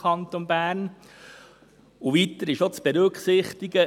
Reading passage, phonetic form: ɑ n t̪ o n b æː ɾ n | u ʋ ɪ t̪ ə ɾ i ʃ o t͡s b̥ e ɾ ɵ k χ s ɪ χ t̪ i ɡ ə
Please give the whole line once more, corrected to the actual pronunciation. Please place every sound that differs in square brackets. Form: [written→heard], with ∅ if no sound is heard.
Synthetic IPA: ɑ n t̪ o n b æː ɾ n | u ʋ [ɪ→i] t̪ ə ɾ [i→ɪ] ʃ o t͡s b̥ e ɾ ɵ k χ s ɪ χ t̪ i ɡ ə